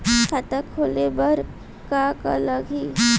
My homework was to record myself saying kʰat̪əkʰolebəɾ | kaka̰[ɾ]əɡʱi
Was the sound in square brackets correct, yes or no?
no